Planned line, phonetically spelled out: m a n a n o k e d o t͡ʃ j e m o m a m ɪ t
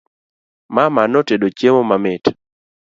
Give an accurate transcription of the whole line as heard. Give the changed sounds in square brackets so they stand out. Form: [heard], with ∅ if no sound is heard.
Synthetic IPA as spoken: m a [m] a n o [t] e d o t͡ʃ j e m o m a m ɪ t

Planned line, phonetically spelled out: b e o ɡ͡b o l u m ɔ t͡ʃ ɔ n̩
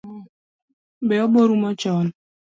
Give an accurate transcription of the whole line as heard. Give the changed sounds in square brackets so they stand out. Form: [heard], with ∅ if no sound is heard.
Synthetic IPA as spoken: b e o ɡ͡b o [ɾ] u m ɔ t͡ʃ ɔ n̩

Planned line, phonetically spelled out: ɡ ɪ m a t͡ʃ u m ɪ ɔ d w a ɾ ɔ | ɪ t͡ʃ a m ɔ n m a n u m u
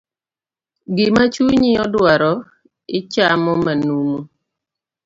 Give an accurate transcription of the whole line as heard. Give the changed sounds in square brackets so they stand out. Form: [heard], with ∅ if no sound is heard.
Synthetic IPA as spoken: ɡ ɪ m a t͡ʃ u [ɲ] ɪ ɔ d w a ɾ ɔ | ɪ t͡ʃ a m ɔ [∅] m a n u m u

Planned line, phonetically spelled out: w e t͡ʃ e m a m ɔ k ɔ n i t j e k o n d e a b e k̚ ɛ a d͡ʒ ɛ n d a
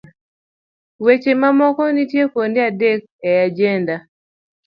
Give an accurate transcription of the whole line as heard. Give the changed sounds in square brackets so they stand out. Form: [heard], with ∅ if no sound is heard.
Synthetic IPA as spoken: w e t͡ʃ e m a m ɔ k ɔ n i t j e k o n d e a [d] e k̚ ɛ a d͡ʒ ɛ n d a

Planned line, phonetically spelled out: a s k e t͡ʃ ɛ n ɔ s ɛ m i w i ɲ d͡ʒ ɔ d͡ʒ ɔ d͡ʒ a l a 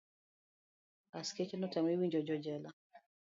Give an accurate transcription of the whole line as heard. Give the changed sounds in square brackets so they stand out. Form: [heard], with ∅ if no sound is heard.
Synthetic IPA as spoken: a s k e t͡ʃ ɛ n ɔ [t] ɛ m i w i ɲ d͡ʒ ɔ d͡ʒ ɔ d͡ʒ [ɛ] l a

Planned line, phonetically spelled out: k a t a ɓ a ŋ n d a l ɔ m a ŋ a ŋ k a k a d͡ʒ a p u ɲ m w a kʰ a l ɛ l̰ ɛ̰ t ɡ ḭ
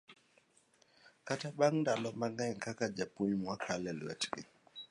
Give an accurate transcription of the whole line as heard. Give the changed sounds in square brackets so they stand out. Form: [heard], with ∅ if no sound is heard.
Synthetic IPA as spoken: k a t a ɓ a ŋ n d a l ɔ m a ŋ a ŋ k a k a d͡ʒ a p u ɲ m w a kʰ a l ɛ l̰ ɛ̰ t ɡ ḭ

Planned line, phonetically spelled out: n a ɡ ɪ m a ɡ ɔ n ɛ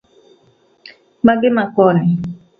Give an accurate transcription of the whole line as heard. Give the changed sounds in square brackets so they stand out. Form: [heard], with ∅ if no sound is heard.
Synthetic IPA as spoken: [m] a ɡ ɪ m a [k] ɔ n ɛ

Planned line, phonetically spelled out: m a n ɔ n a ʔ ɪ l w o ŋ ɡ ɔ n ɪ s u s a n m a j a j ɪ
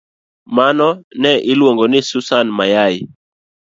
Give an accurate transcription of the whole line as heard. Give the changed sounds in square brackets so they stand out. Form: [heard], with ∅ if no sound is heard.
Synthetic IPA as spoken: m a n ɔ n [ɛ] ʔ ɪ l w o ŋ ɡ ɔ n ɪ s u s a n m a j a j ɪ

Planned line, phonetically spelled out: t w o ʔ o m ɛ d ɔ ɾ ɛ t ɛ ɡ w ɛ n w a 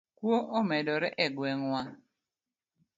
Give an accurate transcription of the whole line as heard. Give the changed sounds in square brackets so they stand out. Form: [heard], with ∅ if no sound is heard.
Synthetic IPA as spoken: [k] w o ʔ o m ɛ d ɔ ɾ ɛ [ʔ] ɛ ɡ w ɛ [ŋ] w a

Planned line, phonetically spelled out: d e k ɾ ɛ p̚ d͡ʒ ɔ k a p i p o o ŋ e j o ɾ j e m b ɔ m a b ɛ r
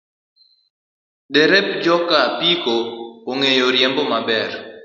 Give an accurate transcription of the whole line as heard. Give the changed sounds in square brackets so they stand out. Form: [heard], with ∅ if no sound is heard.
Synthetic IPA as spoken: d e [∅] ɾ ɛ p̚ d͡ʒ ɔ k a p i [k] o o ŋ e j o ɾ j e m b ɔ m a b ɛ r

